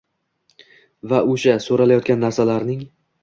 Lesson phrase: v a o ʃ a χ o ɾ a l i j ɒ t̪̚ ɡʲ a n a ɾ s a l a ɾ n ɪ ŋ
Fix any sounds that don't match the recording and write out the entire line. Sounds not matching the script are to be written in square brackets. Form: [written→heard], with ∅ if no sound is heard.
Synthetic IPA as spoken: v a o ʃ a [χ→s] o ɾ a l [i→a] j ɒ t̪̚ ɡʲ a [n→nː] a ɾ s a l a ɾ n ɪ ŋ